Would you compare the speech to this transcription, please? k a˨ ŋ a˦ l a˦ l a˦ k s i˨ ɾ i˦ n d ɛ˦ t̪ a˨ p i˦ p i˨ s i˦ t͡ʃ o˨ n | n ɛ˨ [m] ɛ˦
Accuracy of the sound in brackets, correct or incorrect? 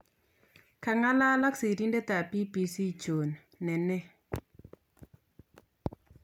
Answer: incorrect